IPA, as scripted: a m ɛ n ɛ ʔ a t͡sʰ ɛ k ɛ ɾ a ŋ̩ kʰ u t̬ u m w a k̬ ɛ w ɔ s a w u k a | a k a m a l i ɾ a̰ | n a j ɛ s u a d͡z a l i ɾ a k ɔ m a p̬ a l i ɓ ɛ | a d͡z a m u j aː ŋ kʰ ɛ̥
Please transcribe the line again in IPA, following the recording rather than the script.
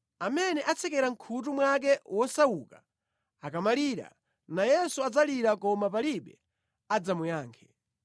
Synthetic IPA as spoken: a m ɛ n ɛ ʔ a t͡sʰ ɛ k ɛ ɾ a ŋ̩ kʰ u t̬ u m w a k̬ ɛ w ɔ s a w u k a | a k a m a l i ɾ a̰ | n a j ɛ s u a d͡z a l i ɾ a k ɔ m a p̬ a l i ɓ ɛ | a d͡z a m u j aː ŋ kʰ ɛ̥